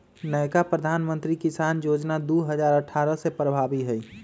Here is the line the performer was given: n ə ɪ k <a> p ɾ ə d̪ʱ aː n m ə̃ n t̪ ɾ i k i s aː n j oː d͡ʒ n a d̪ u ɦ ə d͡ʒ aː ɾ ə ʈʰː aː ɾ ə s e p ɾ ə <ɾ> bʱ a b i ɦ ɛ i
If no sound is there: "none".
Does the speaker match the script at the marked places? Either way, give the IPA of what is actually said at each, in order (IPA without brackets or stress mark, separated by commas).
a, none